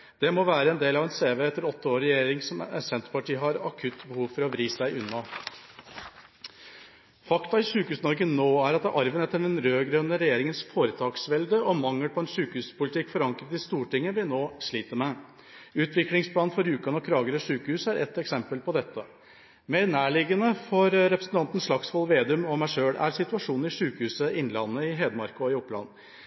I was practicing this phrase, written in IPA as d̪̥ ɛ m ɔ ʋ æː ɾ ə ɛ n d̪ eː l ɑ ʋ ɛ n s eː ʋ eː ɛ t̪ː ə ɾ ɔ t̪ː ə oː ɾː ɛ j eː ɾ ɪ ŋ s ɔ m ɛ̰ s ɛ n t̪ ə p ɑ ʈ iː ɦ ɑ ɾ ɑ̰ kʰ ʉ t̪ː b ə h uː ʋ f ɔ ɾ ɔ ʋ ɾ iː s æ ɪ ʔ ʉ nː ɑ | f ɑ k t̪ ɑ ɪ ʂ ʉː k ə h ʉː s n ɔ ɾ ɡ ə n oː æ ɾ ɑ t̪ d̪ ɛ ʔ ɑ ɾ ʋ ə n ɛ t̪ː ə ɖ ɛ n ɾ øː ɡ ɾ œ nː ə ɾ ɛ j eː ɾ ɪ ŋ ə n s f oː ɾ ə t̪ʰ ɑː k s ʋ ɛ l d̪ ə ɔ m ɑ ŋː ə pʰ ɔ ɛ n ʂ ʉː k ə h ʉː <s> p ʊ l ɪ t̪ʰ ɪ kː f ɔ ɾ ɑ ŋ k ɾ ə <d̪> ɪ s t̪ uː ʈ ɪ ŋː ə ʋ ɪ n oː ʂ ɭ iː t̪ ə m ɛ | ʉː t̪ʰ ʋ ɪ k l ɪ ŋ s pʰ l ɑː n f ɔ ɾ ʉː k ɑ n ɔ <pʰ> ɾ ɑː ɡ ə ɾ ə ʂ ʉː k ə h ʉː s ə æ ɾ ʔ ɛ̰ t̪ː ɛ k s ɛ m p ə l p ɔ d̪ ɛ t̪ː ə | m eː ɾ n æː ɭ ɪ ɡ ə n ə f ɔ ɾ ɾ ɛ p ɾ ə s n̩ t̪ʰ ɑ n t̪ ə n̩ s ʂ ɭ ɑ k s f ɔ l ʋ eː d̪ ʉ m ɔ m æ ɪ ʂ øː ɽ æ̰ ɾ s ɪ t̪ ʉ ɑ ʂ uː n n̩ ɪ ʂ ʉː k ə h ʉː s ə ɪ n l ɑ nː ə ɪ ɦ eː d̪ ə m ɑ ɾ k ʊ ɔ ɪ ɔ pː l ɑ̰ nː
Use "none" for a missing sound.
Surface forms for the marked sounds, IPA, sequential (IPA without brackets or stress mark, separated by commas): s, t̪, kʰ